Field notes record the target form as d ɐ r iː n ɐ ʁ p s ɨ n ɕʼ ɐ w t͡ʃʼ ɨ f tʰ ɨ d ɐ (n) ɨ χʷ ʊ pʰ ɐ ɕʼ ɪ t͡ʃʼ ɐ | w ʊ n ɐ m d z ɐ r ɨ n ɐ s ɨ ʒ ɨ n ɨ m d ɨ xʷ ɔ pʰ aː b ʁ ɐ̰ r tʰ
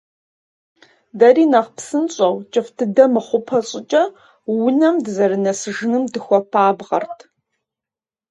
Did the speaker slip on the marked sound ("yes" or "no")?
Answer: yes